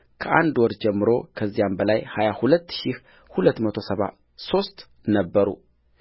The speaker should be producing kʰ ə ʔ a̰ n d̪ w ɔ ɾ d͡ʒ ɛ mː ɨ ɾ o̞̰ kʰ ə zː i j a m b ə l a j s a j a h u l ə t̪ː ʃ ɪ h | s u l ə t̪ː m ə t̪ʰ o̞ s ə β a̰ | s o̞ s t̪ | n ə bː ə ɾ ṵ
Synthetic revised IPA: kʰ ə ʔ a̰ n d̪ w ɔ ɾ d͡ʒ ɛ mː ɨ ɾ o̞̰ kʰ ə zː i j a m b ə l a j h a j a h u l ə t̪ː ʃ i h | h u l ə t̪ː m ə t̪ʰ o̞ s ə β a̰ | s o̞ s t̪ | n ə bː ə ɾ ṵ